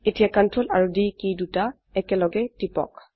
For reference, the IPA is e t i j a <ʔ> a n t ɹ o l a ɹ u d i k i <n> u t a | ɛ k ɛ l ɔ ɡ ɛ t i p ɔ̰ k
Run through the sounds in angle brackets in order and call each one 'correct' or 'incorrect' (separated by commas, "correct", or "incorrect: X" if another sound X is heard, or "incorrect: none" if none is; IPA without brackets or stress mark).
incorrect: k, incorrect: d